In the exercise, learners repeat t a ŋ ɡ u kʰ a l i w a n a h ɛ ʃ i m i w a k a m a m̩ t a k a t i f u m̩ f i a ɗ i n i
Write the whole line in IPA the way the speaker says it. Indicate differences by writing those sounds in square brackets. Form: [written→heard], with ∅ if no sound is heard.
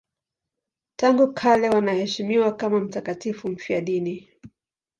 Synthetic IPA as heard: t a ŋ ɡ u kʰ a l [i→ɛ] w a n a h ɛ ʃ i m i w a k a m a m̩ t a k a t i f u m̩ f i a ɗ i n i